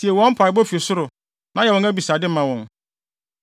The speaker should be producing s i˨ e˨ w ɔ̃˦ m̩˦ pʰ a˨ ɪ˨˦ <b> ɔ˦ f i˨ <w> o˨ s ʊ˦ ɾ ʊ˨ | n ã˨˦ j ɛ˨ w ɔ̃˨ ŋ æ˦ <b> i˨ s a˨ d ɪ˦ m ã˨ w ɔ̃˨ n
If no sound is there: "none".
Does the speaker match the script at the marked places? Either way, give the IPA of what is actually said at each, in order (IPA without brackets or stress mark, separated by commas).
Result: b, none, b